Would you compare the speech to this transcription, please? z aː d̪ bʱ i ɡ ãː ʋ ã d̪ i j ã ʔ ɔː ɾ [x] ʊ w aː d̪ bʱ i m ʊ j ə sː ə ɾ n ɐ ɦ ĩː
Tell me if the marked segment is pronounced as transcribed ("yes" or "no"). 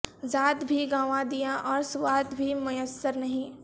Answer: no